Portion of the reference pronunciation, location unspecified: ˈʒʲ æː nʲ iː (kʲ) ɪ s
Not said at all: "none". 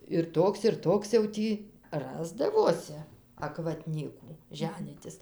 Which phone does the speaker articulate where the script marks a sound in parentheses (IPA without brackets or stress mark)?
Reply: tʲ